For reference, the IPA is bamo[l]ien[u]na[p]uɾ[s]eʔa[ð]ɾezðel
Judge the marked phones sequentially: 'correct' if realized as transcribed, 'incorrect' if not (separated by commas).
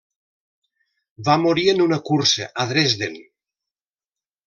incorrect, correct, incorrect, correct, correct